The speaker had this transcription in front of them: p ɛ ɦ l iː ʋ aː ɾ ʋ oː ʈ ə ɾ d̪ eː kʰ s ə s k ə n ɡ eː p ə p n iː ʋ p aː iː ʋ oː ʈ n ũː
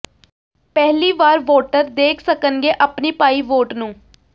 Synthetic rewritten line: p ɛ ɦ l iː ʋ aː ɾ ʋ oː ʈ ə ɾ d̪ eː kʰ s ə k ə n ɡ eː ʔ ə p n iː p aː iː ʋ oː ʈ n ũː